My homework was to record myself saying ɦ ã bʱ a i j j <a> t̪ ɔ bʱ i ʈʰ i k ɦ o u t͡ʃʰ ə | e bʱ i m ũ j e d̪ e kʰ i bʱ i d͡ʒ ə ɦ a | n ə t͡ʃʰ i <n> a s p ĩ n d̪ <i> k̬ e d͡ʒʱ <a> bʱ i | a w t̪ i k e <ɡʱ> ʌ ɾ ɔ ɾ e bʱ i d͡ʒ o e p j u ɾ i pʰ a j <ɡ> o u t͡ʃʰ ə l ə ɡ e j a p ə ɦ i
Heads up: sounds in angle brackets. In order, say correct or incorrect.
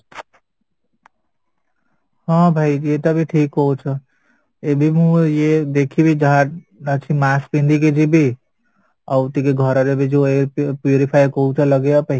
incorrect: e, incorrect: m, correct, incorrect: i, correct, incorrect: k

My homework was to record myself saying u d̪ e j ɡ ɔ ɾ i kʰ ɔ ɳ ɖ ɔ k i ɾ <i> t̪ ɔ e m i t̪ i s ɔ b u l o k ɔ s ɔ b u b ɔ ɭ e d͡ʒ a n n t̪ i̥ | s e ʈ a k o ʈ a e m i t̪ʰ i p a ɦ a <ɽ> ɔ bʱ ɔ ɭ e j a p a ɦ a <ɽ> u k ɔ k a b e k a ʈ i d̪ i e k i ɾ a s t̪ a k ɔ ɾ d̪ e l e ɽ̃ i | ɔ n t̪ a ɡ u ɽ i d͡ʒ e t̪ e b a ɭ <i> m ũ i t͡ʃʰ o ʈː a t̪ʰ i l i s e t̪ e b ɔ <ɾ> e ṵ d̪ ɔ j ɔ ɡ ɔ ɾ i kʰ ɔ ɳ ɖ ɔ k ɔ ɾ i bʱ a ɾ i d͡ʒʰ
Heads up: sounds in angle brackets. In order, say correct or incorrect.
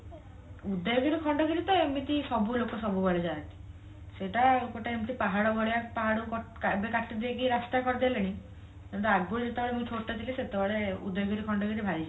correct, correct, correct, incorrect: e, incorrect: ɭ

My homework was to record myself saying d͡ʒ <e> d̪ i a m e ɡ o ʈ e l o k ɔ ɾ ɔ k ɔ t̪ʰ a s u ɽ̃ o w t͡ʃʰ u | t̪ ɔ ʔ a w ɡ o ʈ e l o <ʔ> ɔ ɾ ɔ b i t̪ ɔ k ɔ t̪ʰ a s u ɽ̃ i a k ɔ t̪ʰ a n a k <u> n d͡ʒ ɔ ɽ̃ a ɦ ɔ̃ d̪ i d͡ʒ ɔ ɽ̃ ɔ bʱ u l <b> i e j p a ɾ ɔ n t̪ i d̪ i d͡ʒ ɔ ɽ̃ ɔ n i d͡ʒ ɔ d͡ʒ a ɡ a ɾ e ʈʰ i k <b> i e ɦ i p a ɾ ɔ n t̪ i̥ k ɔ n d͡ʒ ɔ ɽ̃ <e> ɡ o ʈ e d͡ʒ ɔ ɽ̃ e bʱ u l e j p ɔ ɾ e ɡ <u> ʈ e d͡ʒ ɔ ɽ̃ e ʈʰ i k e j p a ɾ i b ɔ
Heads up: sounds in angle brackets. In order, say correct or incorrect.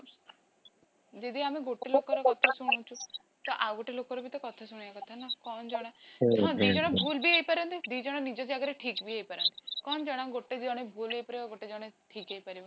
correct, incorrect: k, incorrect: ɔ, correct, correct, incorrect: a, incorrect: o

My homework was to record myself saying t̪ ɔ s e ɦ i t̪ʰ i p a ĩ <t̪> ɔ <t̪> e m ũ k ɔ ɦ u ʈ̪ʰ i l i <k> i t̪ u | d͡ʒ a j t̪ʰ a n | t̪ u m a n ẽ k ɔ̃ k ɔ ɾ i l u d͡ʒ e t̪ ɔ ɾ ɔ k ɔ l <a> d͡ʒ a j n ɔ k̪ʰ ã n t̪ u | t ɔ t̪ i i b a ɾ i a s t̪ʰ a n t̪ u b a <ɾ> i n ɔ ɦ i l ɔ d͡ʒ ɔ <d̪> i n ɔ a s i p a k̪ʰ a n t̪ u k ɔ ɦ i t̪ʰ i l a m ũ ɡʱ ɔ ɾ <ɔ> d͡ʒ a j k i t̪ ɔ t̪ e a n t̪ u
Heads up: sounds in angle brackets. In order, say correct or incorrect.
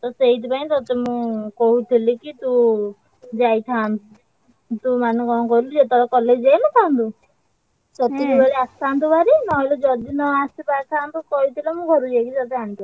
correct, correct, correct, incorrect: e, correct, correct, incorrect: u

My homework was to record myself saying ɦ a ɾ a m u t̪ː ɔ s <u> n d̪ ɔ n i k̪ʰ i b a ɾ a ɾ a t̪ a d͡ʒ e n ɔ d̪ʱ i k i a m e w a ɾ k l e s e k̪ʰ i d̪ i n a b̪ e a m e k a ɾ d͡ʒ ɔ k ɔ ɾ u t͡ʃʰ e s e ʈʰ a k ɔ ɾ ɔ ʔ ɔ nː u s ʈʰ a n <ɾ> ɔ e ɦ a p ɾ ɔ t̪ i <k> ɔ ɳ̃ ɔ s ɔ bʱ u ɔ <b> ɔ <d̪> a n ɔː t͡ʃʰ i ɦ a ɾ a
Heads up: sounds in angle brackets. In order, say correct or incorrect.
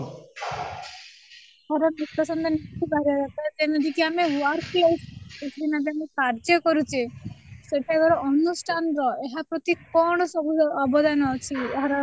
incorrect: ɔ, correct, correct, correct, correct

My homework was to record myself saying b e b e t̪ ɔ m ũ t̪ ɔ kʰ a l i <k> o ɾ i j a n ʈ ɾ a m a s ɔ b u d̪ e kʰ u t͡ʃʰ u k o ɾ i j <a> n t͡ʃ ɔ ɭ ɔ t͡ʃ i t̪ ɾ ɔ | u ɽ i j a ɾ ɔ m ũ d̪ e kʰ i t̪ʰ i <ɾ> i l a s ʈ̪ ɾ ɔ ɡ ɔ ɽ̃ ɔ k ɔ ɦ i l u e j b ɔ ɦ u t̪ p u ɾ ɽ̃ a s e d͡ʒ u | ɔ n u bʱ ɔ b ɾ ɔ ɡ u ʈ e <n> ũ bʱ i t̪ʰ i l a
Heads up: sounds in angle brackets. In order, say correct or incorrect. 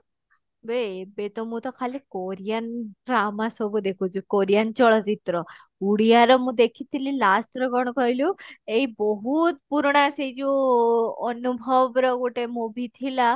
correct, correct, incorrect: l, incorrect: m

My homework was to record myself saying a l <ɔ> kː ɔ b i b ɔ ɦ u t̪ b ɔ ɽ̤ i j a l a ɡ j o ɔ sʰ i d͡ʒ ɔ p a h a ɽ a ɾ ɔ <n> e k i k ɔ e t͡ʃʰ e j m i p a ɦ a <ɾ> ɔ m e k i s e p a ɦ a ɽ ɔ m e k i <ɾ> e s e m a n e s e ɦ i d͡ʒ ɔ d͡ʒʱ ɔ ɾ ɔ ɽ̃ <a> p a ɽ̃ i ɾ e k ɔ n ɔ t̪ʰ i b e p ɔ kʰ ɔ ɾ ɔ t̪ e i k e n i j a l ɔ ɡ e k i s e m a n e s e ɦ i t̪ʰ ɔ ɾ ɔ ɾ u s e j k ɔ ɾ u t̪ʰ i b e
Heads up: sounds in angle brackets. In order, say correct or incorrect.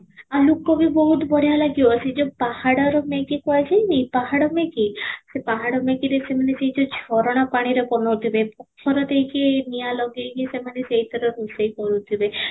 incorrect: u, incorrect: m, incorrect: ɽ, correct, correct

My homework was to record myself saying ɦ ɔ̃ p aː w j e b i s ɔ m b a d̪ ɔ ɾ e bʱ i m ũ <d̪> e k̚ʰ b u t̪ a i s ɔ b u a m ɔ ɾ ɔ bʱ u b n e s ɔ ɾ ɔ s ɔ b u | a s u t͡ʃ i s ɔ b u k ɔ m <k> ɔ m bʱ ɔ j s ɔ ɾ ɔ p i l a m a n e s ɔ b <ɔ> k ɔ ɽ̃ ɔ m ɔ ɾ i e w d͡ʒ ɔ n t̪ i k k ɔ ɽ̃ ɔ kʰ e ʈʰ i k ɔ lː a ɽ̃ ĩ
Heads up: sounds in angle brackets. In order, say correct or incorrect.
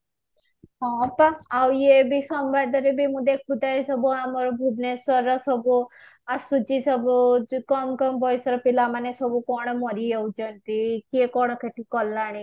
correct, correct, incorrect: u

